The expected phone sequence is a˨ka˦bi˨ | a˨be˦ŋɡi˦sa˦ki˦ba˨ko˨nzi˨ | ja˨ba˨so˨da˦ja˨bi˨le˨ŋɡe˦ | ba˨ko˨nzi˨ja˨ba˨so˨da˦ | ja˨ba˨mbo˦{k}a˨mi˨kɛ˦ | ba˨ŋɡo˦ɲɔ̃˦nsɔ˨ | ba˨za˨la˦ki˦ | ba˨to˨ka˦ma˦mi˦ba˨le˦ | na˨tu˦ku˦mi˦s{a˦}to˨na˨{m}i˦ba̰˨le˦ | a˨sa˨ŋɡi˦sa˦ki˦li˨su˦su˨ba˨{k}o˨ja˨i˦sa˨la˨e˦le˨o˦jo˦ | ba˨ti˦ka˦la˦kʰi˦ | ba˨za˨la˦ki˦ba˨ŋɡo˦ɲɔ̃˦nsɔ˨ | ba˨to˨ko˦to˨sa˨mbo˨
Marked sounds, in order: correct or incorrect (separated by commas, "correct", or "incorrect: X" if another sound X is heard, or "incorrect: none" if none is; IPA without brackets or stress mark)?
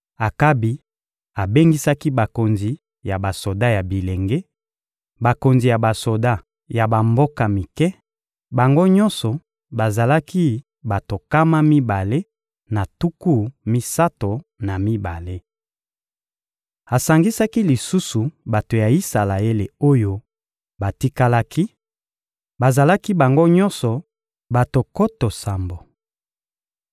correct, correct, correct, incorrect: t